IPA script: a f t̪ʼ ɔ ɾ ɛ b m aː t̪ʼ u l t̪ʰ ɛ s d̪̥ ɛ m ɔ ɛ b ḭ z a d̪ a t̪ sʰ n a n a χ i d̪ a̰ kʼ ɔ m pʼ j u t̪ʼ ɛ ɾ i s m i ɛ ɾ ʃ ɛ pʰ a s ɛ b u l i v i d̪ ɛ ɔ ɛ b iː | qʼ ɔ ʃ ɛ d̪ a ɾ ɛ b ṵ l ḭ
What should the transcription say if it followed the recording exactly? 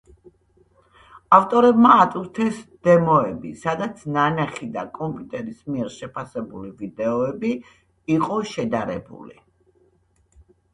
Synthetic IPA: a f t̪ʼ ɔ ɾ ɛ b m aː t̪ʼ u ɾ t̪ʰ ɛ s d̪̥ ɛ m ɔ ɛ b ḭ s a d̪ a t̪ sʰ n a n a χ i d̪ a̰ kʼ ɔ m pʼ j u t̪ʼ ɛ ɾ i s m i ɛ ɾ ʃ ɛ pʰ a s ɛ b u l i v i d̪ ɛ ɔ ɛ b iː | qʼ ɔ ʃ ɛ d̪ a ɾ ɛ b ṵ l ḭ